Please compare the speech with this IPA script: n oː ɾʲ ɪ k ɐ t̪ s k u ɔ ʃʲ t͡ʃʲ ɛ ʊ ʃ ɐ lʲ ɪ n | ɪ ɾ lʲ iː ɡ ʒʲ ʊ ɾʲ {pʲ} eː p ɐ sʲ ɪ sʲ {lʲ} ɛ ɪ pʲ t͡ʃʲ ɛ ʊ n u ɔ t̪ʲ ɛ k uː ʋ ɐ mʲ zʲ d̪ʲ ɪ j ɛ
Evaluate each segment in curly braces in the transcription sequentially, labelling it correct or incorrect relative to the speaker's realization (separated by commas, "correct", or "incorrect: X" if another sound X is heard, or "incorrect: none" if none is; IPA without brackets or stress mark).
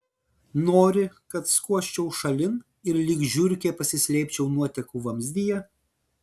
incorrect: kʲ, correct